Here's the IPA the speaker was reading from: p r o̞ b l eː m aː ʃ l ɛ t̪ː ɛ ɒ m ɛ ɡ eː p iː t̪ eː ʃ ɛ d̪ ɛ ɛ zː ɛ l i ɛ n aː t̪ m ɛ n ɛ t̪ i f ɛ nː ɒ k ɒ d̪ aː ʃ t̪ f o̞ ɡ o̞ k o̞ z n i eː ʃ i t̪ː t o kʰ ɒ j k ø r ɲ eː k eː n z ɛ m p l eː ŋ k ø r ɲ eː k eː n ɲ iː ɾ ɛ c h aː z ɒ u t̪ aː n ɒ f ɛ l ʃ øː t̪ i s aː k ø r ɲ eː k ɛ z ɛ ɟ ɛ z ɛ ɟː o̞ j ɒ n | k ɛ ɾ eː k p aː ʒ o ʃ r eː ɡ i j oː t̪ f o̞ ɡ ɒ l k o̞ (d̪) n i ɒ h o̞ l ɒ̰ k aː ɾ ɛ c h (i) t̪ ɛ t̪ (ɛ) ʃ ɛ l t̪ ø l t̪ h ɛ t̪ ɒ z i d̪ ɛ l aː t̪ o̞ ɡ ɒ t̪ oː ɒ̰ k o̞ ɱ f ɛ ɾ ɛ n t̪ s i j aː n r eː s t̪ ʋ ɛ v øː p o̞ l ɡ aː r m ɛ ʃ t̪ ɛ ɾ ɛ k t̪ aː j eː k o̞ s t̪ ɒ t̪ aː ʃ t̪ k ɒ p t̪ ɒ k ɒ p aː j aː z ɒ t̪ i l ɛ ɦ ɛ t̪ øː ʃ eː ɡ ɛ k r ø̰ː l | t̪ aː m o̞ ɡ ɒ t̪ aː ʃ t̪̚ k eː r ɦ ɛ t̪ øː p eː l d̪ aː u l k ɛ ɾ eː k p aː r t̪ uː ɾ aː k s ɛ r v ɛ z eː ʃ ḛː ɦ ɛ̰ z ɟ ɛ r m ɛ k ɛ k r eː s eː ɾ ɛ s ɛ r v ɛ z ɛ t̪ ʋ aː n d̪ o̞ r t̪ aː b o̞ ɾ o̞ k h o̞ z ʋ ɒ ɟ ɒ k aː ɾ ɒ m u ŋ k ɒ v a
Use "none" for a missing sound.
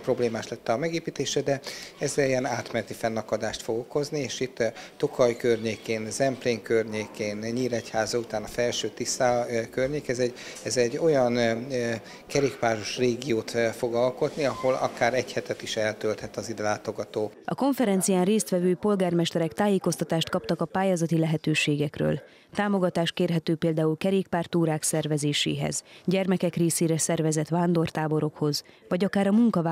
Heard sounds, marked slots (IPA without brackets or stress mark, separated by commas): t̪, ɛ, i